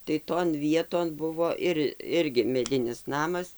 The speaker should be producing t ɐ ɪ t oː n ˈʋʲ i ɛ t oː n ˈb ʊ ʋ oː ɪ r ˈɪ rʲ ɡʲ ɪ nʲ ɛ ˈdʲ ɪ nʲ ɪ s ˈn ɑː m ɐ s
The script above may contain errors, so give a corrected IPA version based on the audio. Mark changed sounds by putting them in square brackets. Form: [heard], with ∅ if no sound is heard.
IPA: t ɐ ɪ t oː n ˈʋʲ i ɛ t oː n ˈb ʊ ʋ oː ɪ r ˈɪ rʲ ɡʲ ɪ [mʲ] ɛ ˈdʲ ɪ nʲ ɪ s ˈn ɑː m ɐ s